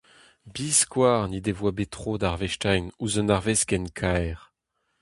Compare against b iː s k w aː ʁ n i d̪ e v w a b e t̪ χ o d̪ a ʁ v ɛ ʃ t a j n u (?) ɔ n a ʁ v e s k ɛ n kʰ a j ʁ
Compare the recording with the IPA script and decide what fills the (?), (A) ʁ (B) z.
B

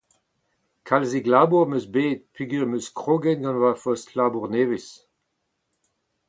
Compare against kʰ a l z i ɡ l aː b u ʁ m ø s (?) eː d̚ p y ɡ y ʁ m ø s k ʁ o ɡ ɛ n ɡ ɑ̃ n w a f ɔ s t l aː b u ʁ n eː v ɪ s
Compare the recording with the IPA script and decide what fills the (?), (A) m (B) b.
B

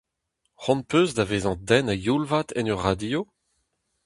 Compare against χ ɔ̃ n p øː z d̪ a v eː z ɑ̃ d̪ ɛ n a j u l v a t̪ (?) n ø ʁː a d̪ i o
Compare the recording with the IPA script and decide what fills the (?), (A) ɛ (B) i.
A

